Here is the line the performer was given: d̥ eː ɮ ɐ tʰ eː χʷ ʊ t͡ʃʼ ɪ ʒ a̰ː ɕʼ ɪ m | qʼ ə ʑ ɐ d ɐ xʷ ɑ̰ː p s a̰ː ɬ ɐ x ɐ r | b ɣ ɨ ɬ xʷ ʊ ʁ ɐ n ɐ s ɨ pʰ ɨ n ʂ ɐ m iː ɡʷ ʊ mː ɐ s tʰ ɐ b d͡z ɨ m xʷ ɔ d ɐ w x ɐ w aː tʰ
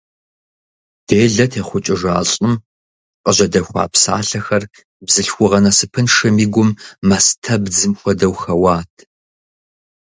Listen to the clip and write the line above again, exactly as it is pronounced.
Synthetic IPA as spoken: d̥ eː ɮ ɐ tʰ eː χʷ ʊ t͡ʃʼ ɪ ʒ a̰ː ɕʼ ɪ m | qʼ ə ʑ ɐ d ɐ xʷ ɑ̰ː p s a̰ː ɬ ɐ x ɐ r | b z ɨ ɬ xʷ ʊ ʁ ɐ n ɐ s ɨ pʰ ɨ n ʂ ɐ m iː ɡʷ ʊ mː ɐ s tʰ ɐ b d͡z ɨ m xʷ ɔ d ɐ w x ɐ w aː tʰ